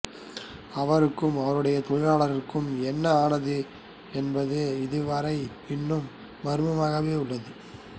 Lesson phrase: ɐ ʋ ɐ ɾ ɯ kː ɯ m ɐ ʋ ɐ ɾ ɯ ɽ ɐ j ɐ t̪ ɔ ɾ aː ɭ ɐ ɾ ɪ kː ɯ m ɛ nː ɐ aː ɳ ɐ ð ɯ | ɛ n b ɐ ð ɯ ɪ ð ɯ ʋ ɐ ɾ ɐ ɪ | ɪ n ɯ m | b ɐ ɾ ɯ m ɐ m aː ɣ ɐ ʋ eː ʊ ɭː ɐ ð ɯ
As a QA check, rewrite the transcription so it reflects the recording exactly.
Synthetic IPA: ɐ ʋ ɐ ɾ ɯ kː ɯ m ɐ ʋ ɐ ɾ ɯ ɽ ɐ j ɐ t̪ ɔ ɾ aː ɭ ɐ ɾ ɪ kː ɯ m ɛ nː ɐ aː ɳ ɐ ð ɯ | ɛ n b ɐ ð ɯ ɪ ð ɯ ʋ ɐ ɾ ɐ ɪ | ɪ nː ɯ m | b ɐ ɾ ɯ m ɐ m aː ɣ ɐ ʋ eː ʊ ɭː ɐ ð ɯ